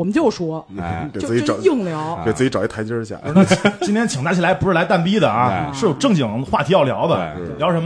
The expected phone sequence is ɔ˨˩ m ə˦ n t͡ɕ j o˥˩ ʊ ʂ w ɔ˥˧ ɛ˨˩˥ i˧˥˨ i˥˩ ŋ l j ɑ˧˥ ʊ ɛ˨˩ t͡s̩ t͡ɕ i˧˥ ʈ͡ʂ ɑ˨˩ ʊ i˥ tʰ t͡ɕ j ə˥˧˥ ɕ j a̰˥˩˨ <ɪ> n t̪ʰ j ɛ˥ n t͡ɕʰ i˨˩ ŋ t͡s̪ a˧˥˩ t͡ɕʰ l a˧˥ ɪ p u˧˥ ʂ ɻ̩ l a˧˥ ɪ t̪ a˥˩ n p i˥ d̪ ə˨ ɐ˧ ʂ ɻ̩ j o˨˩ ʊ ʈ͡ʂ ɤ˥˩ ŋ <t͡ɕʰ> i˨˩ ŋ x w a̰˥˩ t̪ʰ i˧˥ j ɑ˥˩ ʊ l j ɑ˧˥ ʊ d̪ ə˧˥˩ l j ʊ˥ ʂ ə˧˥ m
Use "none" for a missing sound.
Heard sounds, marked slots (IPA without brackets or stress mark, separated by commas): i, t͡ɕ